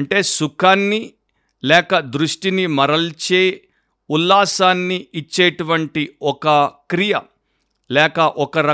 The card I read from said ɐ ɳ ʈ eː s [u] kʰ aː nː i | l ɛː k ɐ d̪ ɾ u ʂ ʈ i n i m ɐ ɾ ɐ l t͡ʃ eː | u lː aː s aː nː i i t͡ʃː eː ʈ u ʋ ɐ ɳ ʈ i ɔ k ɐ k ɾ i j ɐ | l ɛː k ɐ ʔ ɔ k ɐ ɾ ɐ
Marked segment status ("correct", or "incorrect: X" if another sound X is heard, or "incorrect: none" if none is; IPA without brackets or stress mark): correct